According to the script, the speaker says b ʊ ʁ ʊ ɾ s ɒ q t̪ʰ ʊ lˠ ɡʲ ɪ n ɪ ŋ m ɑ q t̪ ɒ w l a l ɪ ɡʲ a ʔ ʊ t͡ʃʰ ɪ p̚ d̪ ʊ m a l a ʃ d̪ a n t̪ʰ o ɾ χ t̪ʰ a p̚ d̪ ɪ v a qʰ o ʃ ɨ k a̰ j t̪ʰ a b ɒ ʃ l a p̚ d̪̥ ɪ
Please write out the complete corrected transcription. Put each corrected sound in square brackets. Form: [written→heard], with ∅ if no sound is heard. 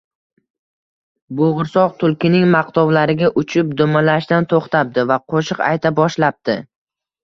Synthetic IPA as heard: b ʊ ʁ ʊ ɾ s ɒ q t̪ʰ ʊ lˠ [ɡʲ→kʲ] ɪ n ɪ ŋ m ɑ q t̪ ɒ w l a [l→ɾ] ɪ ɡʲ a ʔ ʊ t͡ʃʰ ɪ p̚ d̪ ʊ m a l a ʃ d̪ a n t̪ʰ o [ɾ→∅] χ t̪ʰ a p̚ d̪ ɪ v a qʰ o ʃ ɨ [k→q] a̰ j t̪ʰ a b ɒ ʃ l a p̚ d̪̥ ɪ

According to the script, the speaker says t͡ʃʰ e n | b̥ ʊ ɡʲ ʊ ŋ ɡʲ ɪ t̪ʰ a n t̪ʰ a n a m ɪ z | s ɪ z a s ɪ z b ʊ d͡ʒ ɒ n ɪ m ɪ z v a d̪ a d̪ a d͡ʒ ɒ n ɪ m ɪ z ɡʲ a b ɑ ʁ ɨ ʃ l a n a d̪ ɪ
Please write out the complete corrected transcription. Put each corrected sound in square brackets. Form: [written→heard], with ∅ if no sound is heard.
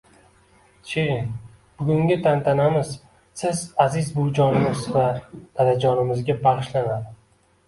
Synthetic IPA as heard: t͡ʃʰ e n | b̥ ʊ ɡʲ ʊ ŋ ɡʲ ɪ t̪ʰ a n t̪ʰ a n a m ɪ z | s ɪ z a [s→z] ɪ z b ʊ d͡ʒ ɒ n ɪ m ɪ z v a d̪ a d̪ a d͡ʒ ɒ n ɪ m ɪ z ɡʲ a b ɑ ʁ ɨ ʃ l a n a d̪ ɪ

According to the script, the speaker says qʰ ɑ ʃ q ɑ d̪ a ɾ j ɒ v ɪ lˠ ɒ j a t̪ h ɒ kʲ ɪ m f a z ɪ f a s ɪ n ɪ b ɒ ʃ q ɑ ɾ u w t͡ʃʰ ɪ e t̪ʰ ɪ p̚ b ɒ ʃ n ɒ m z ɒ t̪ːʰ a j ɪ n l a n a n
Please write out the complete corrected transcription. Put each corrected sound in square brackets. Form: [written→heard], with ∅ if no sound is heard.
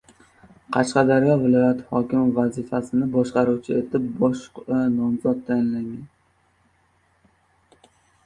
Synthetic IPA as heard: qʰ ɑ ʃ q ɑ d̪ a ɾ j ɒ v ɪ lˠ ɒ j a t̪ h ɒ kʲ ɪ m [f→v] a z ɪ f a s ɪ n ɪ b ɒ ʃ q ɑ ɾ u w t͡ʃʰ ɪ e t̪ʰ ɪ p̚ b ɒ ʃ n ɒ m z ɒ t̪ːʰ a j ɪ n l a [n→ŋ] a n

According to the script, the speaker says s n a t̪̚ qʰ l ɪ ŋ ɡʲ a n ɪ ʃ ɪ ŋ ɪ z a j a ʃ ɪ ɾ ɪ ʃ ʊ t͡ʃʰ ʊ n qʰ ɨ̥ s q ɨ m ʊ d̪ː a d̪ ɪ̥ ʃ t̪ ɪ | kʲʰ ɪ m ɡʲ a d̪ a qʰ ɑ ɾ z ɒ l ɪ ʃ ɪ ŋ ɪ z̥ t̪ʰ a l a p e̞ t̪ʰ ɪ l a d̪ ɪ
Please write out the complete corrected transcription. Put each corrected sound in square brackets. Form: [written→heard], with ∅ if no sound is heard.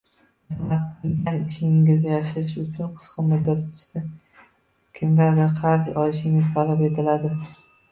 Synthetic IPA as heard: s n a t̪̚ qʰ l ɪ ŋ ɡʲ a n ɪ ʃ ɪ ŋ ɪ z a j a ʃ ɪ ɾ ɪ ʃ ʊ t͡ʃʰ ʊ n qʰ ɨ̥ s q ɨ m ʊ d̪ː a [d̪→t̪] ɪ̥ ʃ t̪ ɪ | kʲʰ ɪ m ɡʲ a d̪ a qʰ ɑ ɾ z ɒ l ɪ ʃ ɪ ŋ ɪ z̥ t̪ʰ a l a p e̞ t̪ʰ ɪ l a d̪ ɪ

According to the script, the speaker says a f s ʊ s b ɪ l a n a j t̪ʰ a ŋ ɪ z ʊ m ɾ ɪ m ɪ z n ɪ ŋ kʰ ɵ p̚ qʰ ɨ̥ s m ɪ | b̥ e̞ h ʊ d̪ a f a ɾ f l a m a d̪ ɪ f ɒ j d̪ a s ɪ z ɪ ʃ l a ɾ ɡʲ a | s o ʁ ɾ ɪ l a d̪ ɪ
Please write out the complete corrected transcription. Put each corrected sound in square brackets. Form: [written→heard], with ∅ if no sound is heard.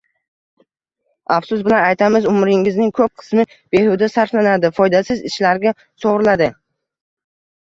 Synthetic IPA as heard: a f s ʊ s b ɪ l a n a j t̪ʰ a [ŋ→m] ɪ z ʊ m ɾ ɪ [m→ŋ] ɪ z n ɪ ŋ kʰ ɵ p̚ qʰ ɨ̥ s m ɪ | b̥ e̞ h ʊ d̪ a [f→s] a ɾ f l a [m→n] a d̪ ɪ f ɒ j d̪ a s ɪ z ɪ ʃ l a ɾ ɡʲ a | s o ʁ ɾ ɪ l a d̪ ɪ

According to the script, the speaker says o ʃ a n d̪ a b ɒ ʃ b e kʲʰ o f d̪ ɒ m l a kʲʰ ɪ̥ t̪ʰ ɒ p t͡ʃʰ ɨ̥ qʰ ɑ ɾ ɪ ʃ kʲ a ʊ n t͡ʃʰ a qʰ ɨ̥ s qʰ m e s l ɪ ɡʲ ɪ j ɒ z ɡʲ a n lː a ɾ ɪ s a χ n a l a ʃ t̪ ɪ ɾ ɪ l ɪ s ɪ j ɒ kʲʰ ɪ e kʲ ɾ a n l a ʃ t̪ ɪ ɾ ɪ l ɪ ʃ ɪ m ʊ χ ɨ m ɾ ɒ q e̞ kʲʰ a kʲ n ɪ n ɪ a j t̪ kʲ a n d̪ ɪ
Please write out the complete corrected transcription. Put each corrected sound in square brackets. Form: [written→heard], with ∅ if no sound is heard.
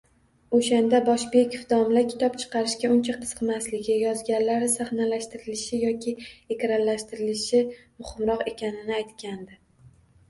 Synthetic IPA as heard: o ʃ a n d̪ a b ɒ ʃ b e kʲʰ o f d̪ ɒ m l a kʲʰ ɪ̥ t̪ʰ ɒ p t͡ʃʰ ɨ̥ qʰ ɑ ɾ ɪ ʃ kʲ a ʊ n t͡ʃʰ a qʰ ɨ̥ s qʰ m [e→a] s l ɪ ɡʲ ɪ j ɒ z ɡʲ a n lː a ɾ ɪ s a χ n a l a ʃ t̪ ɪ ɾ ɪ l ɪ [s→ʃ] ɪ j ɒ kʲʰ ɪ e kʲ ɾ a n l a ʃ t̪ ɪ ɾ ɪ l ɪ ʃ ɪ m ʊ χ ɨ m ɾ ɒ q e̞ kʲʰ a [kʲ→∅] n ɪ n ɪ a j t̪ kʲ a n d̪ ɪ

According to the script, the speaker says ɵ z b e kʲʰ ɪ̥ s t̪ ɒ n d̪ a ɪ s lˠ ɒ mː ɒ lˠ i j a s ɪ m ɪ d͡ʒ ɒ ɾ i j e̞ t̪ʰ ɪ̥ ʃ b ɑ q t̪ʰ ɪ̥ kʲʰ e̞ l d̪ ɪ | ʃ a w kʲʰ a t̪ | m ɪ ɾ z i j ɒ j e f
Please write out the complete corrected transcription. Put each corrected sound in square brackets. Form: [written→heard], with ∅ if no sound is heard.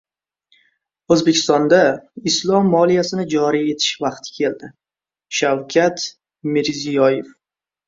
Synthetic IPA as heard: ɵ z b e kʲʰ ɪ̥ s t̪ ɒ n d̪ a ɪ s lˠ ɒ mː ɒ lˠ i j a s ɪ [m→n] ɪ d͡ʒ ɒ ɾ i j e̞ t̪ʰ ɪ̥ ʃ [b→v] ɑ q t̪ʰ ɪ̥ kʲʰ e̞ l d̪ ɪ | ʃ a w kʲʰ a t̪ | m ɪ ɾ z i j ɒ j e f

